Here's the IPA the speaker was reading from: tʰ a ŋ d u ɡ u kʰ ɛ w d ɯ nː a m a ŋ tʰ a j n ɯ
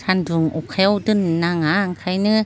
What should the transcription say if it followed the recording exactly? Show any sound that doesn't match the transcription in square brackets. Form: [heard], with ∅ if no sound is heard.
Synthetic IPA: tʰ a [n] d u [ŋ] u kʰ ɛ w d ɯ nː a [ŋ] a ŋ [kʰ] a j n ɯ